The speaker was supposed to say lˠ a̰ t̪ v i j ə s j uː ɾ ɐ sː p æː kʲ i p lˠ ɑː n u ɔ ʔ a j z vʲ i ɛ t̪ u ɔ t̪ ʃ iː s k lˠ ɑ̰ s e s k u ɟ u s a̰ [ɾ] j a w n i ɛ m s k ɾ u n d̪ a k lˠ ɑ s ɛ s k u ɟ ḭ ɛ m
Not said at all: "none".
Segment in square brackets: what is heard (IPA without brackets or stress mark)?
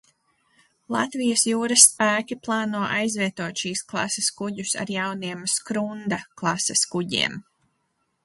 ɾ